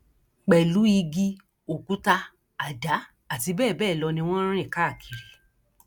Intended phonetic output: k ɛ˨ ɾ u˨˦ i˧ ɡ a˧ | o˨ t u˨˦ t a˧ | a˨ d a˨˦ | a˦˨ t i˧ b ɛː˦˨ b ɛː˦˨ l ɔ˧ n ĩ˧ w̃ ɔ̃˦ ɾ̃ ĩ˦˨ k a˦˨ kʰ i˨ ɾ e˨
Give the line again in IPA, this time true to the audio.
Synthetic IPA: k͡p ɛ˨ l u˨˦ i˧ ɡ i˧ | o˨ k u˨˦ t a˧ | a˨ d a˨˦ | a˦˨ t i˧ b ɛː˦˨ b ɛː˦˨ l ɔ˧ n ĩ˧ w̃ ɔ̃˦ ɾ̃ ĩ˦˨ k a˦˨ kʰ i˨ ɾ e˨